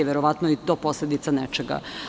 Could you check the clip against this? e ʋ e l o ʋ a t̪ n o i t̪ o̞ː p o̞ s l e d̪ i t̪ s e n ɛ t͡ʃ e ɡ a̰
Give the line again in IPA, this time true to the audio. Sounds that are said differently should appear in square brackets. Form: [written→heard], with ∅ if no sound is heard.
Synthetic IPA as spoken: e ʋ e [l→ɾ] o ʋ a t̪ n o i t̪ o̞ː p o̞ s l e d̪ i t̪ s [e→a] n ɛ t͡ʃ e ɡ a̰